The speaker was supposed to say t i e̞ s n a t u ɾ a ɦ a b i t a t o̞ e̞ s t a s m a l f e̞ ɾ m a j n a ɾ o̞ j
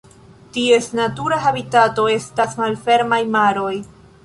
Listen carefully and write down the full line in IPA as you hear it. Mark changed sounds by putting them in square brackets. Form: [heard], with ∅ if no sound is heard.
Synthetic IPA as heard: t i e̞ s n a t u ɾ a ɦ a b i t a t o̞ e̞ s t a s m a l f e̞ ɾ m a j [m] a ɾ o̞ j